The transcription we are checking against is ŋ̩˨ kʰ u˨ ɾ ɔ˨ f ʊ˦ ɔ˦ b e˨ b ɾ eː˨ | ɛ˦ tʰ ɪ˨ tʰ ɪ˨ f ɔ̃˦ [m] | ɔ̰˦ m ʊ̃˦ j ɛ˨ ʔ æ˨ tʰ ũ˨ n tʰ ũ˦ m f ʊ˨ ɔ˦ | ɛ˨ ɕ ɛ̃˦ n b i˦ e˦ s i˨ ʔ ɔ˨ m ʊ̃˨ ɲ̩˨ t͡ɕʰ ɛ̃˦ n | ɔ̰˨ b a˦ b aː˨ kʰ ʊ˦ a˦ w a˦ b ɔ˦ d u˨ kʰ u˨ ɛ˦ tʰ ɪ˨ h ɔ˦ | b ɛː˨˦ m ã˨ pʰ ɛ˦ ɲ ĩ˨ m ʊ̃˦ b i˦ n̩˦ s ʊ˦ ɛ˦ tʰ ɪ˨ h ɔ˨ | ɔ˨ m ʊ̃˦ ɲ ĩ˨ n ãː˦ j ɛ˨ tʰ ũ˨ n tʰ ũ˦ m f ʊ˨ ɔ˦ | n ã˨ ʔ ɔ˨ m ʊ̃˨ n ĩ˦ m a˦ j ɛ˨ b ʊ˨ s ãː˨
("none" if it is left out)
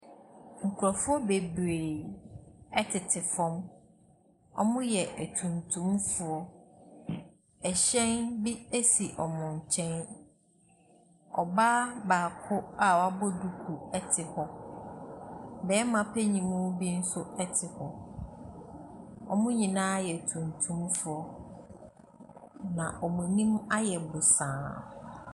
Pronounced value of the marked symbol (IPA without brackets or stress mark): m